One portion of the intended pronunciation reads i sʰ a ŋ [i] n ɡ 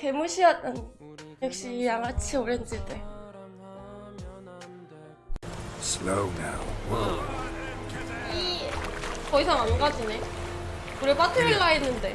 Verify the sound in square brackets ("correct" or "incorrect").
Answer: incorrect